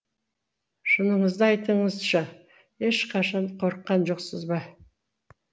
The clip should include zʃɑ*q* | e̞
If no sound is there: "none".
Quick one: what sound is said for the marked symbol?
none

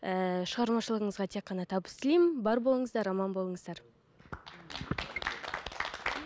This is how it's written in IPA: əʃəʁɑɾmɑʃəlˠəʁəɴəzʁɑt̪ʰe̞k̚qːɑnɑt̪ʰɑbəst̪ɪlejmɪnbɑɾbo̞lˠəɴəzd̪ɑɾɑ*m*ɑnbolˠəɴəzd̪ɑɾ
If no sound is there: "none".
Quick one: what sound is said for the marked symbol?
m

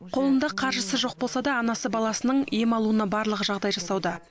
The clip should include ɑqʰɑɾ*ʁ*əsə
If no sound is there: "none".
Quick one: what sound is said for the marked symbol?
ʒ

